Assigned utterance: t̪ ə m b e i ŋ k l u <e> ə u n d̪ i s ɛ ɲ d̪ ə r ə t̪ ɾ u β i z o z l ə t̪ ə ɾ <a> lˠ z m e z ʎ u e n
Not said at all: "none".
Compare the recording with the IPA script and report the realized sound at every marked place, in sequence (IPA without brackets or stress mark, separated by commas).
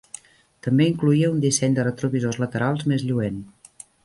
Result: i, a